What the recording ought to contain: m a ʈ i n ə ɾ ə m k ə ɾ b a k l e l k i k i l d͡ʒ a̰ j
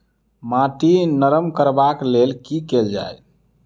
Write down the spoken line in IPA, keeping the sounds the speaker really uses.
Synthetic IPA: m a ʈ i n ə ɾ ə m k ə ɾ b a k l e l k i k e l d͡ʒ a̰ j

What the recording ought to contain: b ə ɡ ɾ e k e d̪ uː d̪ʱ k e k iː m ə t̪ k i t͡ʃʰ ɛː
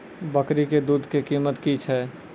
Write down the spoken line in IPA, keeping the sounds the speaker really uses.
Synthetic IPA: b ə k ɾ i k e d̪ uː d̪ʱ k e k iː m ə t̪ k i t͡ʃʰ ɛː

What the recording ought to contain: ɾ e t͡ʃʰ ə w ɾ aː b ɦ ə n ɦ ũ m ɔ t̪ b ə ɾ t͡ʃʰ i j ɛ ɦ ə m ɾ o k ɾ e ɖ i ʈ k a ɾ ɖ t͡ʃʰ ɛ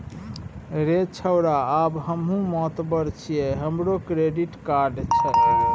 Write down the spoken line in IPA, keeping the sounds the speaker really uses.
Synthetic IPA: ɾ e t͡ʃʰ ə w ɾ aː b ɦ ə m ɦ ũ m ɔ t̪ b ə ɾ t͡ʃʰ i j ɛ ɦ ə m ɾ o k ɾ e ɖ i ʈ k a ɾ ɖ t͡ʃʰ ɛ

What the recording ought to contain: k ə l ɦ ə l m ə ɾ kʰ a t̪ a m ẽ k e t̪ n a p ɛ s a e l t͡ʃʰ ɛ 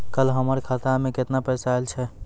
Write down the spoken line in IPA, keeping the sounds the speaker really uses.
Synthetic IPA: k ə l ɦ ə m ə ɾ kʰ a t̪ a m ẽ k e t̪ n a p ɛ s a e l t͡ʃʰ ɛ

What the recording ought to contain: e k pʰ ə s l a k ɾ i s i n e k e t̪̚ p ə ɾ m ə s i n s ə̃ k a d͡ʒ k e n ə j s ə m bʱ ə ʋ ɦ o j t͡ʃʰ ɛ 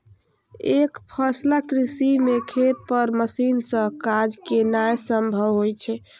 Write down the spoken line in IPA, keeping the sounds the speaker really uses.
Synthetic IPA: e k pʰ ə s l a k ɾ i s i m e kʰ e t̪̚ p ə ɾ m ə s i n s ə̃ k a d͡ʒ k e n a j s ə m bʱ ə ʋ ɦ o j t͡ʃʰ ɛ

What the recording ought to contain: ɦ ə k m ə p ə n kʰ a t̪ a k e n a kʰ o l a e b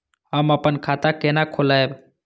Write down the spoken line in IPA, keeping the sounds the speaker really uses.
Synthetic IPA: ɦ ə m ə p ə n kʰ a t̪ a k e n a kʰ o l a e b

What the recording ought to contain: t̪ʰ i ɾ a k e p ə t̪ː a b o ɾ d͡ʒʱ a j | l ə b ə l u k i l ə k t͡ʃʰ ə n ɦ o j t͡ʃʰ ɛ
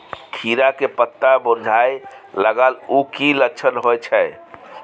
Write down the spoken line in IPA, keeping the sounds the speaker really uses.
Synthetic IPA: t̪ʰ i ɾ a k e p ə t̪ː a b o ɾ d͡ʒʱ a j | l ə ɡ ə l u k i l ə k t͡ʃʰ ə n ɦ o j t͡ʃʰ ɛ

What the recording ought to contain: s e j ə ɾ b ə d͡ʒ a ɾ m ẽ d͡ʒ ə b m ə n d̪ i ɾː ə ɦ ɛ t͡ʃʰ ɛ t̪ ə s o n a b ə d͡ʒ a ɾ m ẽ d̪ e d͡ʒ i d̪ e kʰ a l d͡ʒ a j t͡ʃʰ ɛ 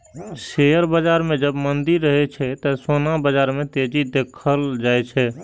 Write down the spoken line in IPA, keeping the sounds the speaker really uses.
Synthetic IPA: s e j ə ɾ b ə d͡ʒ a ɾ m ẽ d͡ʒ ə b m ə n d̪ i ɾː ə ɦ ɛ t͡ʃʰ ɛ t̪ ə s o n a b ə d͡ʒ a ɾ m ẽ t̪ e d͡ʒ i d̪ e kʰ ə l d͡ʒ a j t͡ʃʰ ɛ

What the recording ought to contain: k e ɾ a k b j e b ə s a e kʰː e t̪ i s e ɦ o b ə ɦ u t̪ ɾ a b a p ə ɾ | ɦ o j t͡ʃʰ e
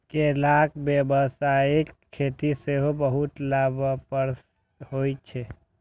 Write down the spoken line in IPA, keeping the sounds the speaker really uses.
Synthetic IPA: k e l a k b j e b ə s a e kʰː e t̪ i s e ɦ o b ə ɦ u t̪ l a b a p ə ɾ | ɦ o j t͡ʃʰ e

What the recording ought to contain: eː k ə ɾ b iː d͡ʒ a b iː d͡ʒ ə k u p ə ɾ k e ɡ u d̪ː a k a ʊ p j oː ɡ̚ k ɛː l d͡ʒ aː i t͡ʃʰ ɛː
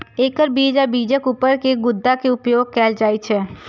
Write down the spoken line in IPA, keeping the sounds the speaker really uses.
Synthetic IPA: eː k ə ɾ b iː d͡ʒ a b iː d͡ʒ ə k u p ə ɾ k e ɡ ʊ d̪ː a k e ʊ p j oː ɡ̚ k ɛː l d͡ʒ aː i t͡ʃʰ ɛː

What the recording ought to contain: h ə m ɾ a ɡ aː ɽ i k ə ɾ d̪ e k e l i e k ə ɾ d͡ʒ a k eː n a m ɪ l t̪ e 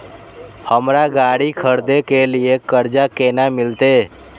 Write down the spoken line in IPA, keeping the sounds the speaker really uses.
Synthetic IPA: h ə m ɾ a ɡ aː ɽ i kʰ ə ɾ d̪ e k e l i e k ə ɾ d͡ʒ a k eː n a m ɪ l t̪ e

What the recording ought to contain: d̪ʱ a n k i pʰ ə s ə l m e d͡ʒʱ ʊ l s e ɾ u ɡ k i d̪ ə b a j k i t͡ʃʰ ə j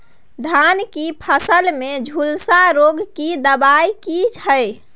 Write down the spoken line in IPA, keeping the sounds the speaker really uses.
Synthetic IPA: d̪ʱ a n k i pʰ ə s ə l m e d͡ʒʱ u l s a ɾ o ɡ k i d̪ ə b a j k i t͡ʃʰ ə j

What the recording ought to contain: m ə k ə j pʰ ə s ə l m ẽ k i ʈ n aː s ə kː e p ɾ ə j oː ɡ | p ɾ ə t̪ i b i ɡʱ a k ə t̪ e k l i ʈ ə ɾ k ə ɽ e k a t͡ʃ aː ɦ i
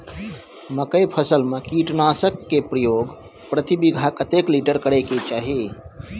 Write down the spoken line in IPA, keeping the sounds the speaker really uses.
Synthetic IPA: m ə k ə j pʰ ə s ə l m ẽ k i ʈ n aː s ə kː e p ɾ ə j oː ɡ | p ɾ ə t̪ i b i ɡʱ a k ə t̪ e k l i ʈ ə ɾ k ə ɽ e k e t͡ʃ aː ɦ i

